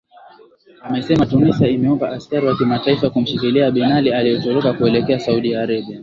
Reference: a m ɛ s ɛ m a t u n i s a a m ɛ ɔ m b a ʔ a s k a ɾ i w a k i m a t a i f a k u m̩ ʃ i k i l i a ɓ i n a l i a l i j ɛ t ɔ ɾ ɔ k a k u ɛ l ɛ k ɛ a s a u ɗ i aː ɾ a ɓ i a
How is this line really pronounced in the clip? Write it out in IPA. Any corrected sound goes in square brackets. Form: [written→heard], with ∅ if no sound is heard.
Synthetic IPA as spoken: a m ɛ s ɛ m a t u n i s a [a→i] m ɛ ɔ m b a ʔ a s k a ɾ i w a k i m a t a i f a k u m̩ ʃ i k i l i a ɓ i n a l i a l i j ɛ t ɔ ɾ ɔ k a k u ɛ l ɛ k ɛ a s a u ɗ i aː ɾ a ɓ i a